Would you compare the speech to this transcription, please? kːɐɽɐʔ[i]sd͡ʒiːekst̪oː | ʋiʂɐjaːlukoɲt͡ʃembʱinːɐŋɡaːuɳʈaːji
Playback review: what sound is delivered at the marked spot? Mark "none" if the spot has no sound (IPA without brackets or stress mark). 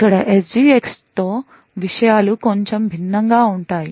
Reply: e